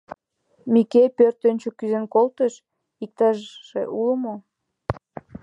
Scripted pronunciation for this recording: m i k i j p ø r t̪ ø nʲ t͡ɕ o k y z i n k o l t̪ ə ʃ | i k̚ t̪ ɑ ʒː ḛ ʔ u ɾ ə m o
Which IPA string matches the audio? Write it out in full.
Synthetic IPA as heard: m i k e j p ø r t̪ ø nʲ t͡ɕ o k y z e n k o l t̪ ə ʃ | i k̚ t̪ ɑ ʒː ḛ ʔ u l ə m o